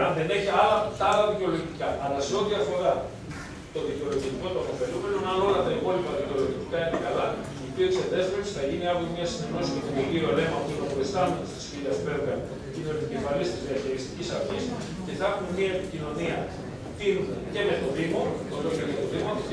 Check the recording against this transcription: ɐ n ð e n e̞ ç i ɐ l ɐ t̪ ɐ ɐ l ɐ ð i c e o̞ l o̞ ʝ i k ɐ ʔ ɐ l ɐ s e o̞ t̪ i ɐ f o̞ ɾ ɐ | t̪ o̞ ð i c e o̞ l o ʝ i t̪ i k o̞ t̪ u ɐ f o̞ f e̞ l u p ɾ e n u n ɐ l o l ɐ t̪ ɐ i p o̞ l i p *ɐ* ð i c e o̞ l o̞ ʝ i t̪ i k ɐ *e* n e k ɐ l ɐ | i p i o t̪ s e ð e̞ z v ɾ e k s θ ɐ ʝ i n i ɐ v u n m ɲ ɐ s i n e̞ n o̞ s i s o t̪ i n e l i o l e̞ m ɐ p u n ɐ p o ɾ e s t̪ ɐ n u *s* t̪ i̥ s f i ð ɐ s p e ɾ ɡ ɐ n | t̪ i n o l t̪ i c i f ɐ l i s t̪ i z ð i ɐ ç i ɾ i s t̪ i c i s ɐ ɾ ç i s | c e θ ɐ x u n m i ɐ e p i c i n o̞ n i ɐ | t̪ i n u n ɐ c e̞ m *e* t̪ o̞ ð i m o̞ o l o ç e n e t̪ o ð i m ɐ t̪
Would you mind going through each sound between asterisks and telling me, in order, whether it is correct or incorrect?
correct, incorrect: i, correct, correct

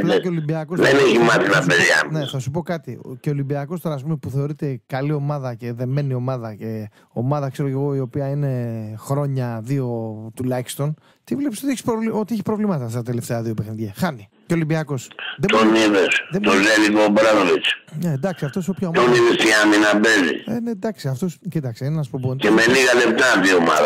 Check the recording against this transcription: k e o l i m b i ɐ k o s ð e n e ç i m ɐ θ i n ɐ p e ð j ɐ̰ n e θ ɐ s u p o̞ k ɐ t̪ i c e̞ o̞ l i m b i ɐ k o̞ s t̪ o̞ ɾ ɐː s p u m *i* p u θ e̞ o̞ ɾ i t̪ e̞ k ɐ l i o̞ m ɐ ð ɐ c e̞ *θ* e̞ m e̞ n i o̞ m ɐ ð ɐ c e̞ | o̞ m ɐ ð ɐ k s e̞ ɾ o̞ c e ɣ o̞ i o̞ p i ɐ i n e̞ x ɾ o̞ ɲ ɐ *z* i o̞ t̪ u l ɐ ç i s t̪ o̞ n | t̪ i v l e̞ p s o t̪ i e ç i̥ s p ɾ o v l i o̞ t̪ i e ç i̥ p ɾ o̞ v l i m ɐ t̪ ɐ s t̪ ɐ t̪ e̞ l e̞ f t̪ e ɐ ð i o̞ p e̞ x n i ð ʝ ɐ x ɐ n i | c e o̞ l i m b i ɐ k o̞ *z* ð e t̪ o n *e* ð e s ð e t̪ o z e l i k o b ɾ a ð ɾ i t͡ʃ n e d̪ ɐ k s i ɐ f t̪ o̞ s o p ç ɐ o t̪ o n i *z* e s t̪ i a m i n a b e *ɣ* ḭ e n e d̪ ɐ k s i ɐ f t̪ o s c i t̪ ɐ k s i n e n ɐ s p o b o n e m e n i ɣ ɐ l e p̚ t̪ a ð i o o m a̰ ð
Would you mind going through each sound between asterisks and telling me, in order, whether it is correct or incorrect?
incorrect: e, incorrect: ð, incorrect: ð, incorrect: s, incorrect: i, incorrect: ð, incorrect: z

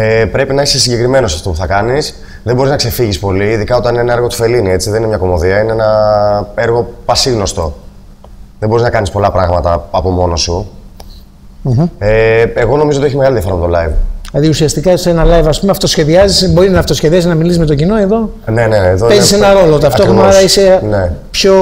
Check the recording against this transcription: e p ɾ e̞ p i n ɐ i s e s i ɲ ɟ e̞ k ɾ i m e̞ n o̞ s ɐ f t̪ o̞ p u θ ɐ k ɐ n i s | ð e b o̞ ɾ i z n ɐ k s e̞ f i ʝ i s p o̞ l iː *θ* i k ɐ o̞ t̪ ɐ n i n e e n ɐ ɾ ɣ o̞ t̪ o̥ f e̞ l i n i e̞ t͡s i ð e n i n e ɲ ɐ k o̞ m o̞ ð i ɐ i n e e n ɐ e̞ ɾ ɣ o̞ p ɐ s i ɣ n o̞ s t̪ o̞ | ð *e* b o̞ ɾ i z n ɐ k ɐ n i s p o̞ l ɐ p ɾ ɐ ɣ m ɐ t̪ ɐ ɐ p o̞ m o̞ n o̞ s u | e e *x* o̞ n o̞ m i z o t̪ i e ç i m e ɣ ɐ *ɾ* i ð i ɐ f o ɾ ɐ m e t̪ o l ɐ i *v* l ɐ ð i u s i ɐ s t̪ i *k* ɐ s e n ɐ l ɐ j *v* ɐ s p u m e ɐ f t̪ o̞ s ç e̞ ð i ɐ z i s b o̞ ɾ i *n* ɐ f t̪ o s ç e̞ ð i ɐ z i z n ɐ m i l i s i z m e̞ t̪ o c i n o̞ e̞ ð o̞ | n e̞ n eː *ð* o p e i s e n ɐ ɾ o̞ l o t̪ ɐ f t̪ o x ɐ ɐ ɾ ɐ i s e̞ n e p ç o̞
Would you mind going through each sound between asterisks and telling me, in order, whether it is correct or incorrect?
incorrect: ð, correct, incorrect: ɣ, incorrect: l, correct, correct, correct, correct, correct

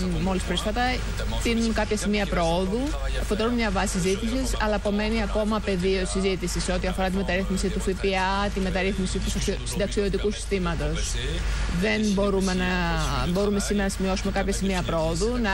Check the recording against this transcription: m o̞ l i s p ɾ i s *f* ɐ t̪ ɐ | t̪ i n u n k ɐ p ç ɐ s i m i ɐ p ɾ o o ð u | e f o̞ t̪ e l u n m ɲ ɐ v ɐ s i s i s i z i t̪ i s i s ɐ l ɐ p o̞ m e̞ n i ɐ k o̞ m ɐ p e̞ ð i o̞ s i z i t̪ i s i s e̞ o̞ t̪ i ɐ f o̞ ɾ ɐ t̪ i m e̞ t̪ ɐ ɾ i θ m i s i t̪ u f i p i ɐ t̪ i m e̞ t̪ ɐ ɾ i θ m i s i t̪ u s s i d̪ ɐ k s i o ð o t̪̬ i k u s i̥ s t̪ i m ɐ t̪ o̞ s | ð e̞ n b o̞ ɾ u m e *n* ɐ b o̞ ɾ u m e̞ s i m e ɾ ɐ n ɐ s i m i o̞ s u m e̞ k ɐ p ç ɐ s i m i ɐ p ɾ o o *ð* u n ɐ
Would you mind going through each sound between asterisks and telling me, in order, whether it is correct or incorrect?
correct, correct, correct

